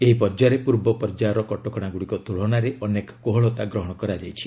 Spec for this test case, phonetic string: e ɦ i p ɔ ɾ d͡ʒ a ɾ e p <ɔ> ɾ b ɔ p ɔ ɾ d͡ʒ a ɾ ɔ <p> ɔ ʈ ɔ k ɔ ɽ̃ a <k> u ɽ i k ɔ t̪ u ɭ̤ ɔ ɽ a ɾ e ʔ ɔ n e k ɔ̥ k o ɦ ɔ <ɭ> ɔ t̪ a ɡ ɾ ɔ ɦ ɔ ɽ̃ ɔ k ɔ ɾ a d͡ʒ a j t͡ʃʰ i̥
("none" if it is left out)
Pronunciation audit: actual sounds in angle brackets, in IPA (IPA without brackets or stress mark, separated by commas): u, k, ɡ, ɭ